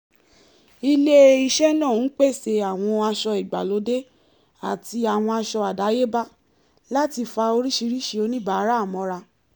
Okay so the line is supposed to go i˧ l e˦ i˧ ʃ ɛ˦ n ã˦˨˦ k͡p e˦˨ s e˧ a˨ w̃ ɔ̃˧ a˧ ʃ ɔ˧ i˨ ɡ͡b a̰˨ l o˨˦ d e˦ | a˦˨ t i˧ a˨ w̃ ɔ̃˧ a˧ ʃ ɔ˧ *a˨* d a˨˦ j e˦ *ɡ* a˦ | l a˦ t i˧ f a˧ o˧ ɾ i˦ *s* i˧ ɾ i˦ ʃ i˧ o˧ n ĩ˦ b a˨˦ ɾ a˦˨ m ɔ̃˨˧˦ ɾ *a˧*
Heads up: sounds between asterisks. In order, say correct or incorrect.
correct, incorrect: b, incorrect: ʃ, correct

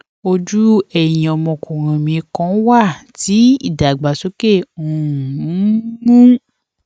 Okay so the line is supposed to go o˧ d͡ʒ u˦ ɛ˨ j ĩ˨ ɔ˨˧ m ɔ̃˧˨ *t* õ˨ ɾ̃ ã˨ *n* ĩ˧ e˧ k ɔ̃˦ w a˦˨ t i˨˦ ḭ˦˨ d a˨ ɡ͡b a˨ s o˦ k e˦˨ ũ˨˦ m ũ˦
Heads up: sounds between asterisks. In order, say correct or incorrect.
incorrect: k, incorrect: m

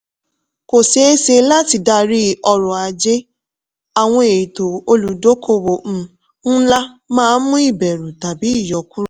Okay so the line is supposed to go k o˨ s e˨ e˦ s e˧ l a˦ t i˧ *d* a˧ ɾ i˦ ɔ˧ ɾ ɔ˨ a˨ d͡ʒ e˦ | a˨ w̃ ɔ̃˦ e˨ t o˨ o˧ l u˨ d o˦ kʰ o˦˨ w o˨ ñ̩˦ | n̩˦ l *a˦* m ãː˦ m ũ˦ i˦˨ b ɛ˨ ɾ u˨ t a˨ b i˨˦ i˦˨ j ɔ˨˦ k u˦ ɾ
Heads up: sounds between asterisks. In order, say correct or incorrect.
correct, correct

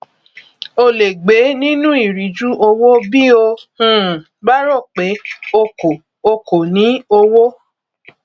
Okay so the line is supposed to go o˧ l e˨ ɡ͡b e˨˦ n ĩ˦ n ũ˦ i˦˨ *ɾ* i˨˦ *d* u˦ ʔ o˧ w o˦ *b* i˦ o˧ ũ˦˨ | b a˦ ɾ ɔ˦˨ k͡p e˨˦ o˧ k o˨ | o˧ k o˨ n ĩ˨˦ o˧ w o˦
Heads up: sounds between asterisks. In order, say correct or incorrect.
correct, incorrect: d͡ʒ, correct

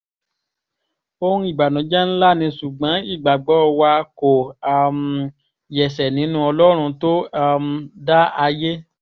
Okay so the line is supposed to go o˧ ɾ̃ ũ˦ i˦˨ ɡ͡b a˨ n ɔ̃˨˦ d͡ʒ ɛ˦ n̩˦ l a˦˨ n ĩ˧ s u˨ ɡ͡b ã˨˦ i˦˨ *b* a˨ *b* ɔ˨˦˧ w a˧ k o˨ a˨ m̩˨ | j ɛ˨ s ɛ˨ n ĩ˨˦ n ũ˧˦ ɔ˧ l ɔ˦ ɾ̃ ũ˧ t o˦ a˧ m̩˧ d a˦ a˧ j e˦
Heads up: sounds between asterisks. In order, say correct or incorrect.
incorrect: ɡ͡b, incorrect: ɡ͡b

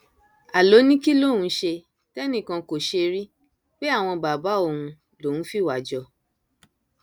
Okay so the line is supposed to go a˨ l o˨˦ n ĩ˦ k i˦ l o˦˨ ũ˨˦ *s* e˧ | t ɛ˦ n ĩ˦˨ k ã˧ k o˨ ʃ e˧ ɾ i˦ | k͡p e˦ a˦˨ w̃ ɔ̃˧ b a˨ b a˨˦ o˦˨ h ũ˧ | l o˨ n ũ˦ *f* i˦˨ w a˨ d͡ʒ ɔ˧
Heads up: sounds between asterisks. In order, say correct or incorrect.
incorrect: ʃ, correct

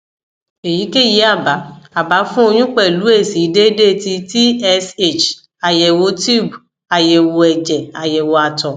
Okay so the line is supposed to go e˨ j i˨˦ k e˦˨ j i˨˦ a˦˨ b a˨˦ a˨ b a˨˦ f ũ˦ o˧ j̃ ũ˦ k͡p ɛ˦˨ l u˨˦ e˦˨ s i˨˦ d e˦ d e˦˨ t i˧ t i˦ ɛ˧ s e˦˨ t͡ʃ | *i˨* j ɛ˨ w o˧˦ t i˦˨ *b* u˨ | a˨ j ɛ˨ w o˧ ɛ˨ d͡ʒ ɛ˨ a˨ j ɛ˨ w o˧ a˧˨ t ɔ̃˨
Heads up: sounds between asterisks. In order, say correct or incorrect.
incorrect: a˨, correct

